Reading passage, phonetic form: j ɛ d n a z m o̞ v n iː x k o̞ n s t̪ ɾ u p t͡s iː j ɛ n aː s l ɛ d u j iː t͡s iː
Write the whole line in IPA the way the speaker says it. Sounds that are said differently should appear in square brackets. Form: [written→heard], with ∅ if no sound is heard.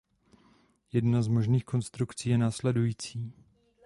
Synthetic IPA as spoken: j ɛ d n a z m o̞ [v→ʒ] n iː x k o̞ n s t̪ ɾ u [p→k] t͡s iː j ɛ n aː s l ɛ d u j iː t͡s iː